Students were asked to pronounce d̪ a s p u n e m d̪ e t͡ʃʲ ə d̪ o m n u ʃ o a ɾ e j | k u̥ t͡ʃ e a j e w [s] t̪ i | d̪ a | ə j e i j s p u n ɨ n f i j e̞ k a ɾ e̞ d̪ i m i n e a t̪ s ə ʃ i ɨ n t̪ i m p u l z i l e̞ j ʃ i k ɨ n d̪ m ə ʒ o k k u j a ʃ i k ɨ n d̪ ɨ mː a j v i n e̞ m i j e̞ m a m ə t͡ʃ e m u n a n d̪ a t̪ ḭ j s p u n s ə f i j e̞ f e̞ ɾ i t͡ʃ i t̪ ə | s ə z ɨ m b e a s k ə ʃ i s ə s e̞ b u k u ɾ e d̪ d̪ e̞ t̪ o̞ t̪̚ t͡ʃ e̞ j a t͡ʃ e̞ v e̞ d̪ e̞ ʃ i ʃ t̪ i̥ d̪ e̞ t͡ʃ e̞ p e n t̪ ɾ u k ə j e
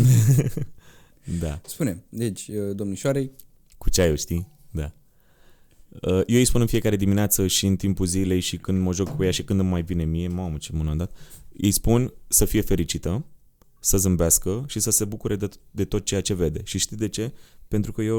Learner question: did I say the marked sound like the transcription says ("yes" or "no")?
no